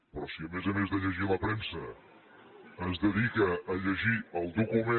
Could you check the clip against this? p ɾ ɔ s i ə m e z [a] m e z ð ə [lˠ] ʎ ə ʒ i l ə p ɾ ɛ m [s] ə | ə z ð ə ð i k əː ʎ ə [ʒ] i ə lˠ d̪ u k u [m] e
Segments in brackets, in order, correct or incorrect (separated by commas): incorrect, incorrect, correct, correct, correct